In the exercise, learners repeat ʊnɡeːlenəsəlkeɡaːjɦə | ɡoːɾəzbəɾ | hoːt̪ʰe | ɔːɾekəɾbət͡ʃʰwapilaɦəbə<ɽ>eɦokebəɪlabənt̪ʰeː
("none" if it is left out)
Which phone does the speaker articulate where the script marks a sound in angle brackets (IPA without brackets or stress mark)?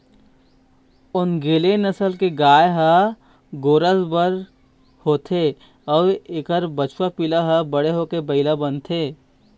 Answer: ɽ